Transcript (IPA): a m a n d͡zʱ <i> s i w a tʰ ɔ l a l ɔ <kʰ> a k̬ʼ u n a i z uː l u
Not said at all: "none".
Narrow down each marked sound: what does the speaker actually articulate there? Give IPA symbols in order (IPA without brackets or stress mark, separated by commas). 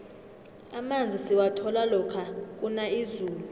i, kʰ